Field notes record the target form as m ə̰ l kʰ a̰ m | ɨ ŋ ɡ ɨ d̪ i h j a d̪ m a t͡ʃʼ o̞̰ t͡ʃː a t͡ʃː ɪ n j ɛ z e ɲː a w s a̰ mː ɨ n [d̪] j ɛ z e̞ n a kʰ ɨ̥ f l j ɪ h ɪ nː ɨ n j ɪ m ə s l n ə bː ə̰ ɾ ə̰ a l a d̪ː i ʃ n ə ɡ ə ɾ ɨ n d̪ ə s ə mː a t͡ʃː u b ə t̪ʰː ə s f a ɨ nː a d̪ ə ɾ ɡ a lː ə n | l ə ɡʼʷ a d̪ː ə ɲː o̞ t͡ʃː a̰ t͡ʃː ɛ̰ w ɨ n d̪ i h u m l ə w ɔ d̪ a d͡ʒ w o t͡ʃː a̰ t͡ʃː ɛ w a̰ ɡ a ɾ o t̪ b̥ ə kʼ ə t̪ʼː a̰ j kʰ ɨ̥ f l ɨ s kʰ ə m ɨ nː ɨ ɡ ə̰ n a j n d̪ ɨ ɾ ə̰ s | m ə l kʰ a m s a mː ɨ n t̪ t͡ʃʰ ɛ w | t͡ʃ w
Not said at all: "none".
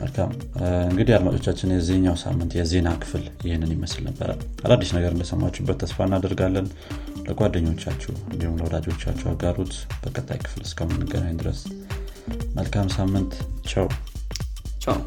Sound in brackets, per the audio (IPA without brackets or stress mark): t̪